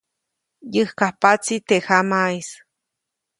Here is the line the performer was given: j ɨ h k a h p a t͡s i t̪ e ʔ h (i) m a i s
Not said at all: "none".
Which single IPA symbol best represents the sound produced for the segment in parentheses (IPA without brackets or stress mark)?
a